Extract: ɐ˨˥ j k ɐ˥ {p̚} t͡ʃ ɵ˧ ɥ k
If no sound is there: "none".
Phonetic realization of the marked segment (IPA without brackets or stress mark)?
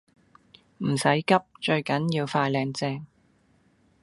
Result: p̚